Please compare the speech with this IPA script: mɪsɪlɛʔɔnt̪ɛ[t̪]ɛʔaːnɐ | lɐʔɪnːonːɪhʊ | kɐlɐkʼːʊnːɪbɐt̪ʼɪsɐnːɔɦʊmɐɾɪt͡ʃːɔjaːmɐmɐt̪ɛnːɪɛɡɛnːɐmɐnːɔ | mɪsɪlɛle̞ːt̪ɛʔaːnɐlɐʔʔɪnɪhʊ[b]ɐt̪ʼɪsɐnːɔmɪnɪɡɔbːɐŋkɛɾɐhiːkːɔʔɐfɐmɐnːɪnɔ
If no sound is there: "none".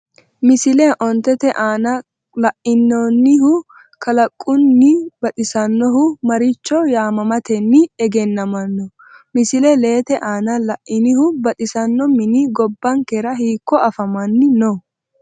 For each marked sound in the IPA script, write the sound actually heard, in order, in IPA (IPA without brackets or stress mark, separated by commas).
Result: t̪, b